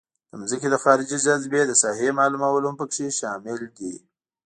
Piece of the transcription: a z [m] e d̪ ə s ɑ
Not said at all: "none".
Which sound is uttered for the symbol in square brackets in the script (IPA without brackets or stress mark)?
b